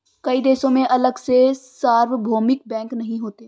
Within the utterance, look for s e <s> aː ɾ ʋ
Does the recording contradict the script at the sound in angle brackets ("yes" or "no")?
no